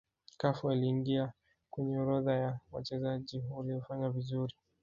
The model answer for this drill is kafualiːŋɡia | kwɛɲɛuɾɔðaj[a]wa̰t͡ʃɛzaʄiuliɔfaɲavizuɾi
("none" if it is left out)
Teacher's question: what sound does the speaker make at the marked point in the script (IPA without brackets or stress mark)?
a